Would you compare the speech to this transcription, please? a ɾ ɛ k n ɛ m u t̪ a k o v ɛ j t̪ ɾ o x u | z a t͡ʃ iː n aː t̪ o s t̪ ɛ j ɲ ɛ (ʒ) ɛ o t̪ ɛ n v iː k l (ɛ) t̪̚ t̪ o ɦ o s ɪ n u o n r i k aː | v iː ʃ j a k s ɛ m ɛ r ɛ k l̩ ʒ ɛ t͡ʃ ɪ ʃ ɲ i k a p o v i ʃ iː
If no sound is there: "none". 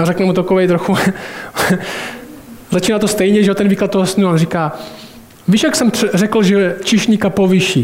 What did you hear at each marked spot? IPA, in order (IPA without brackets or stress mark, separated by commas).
ʒ, a